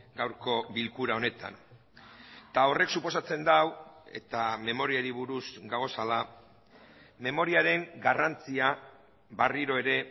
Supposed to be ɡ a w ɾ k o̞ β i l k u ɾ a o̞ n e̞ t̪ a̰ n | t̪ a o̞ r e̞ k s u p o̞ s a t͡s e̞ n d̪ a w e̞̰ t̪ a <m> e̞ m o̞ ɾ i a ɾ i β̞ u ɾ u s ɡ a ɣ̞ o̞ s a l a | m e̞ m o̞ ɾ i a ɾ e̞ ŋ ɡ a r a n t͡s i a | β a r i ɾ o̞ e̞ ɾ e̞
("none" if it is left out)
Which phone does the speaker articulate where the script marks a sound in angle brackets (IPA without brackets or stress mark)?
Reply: m